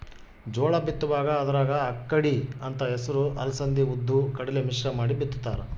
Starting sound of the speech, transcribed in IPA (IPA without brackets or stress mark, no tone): d͡ʒ